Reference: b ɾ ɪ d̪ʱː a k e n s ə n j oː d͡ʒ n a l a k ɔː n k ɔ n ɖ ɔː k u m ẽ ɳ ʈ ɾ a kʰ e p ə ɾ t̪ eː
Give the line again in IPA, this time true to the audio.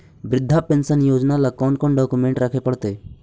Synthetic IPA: b ɾ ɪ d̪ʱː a p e n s ə n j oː d͡ʒ n a l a k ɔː n k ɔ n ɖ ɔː k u m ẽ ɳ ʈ ɾ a kʰ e p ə ɽ t̪ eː